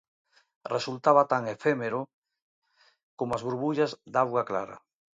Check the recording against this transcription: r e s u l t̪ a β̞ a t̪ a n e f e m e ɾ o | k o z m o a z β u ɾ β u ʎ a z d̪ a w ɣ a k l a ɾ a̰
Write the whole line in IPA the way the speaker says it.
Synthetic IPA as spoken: r e s u l t̪ a β̞ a t̪ a ŋ e f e m e ɾ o | k o m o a z β u ɾ β u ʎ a z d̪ a w ɣ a k l a ɾ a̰